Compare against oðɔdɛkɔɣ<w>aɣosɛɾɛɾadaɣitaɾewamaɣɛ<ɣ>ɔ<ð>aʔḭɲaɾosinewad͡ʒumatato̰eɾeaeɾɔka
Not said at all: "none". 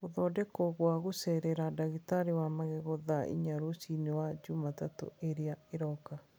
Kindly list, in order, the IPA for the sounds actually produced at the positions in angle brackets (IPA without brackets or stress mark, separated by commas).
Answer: w, ɣ, ð